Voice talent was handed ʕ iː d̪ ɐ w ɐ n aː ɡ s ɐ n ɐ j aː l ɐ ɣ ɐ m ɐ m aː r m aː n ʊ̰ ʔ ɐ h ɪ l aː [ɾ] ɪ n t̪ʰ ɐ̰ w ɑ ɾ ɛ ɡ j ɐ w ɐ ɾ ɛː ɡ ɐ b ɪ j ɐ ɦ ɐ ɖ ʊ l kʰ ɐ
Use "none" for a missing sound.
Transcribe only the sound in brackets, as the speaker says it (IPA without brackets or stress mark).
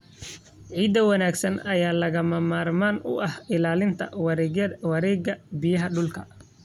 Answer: l